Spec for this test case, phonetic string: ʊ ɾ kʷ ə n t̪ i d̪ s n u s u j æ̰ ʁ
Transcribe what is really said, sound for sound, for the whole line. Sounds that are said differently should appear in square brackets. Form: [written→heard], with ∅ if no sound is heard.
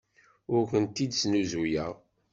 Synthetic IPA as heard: ʊ ɾ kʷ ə n t̪ i d̪ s n u [s→z] u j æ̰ ʁ